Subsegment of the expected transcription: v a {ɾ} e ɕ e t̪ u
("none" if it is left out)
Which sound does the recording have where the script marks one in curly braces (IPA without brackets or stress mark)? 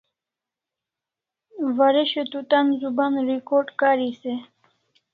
ɾ